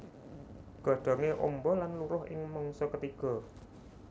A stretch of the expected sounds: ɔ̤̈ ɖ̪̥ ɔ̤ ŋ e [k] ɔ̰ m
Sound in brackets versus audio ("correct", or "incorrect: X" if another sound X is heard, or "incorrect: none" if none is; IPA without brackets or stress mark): incorrect: ʔ